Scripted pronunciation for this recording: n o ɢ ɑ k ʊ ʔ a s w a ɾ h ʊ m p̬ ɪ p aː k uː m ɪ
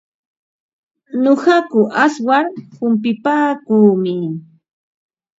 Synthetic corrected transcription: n o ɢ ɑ k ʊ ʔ a s w a ɾ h ʊ m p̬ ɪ p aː k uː m ɪ